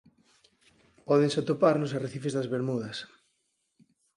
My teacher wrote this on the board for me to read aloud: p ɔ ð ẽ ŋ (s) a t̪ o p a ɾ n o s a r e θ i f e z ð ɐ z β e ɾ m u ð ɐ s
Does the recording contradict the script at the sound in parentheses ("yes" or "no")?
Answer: no